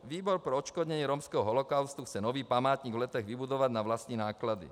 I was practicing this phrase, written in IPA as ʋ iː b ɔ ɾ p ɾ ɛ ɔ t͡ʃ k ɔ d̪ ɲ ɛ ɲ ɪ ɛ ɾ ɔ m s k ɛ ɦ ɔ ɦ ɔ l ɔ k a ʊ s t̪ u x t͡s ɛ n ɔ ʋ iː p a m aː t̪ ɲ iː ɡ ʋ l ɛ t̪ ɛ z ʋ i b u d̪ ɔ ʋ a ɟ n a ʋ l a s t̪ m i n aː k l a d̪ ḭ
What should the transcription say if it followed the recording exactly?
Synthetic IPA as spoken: ʋ iː b ɔ ɾ p ɾ ɛ ɔ t͡ʃ k ɔ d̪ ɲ ɛ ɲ ɪ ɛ ɾ ɔ m s k ɛ ɦ ɔ ɦ ɔ l ɔ k a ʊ s t̪ u x t͡s ɛ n ɔ ʋ iː p a m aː t̪ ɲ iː ɡ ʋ l ɛ t̪ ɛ ɣ ʋ i b u d̪ ɔ ʋ a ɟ n a ʋ l a s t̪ ɲ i n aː k l a d̪ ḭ